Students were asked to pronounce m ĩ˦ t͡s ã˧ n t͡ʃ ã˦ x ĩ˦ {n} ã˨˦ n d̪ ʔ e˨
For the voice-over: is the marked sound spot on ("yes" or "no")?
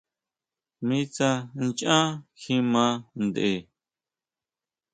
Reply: no